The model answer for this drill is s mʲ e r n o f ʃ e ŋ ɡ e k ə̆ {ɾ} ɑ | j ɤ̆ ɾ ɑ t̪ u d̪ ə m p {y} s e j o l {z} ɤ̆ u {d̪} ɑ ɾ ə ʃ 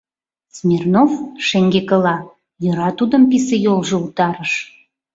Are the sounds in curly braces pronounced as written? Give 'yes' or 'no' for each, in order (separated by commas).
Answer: no, no, no, no